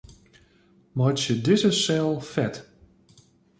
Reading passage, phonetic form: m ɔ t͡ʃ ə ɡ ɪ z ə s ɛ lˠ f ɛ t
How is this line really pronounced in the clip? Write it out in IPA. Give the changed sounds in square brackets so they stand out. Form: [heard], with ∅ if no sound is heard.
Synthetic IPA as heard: m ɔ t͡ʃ ə [d] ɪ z ə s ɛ lˠ f ɛ t